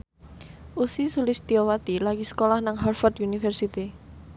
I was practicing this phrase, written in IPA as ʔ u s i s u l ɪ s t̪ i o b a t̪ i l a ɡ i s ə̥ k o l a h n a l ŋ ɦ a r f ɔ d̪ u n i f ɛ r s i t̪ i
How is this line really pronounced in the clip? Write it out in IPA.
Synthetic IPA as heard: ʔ u s i s u l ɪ s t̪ i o w a t̪ i l a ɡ i s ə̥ k o l a h n a ŋ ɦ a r f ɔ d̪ u n i f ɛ r s i t̪ i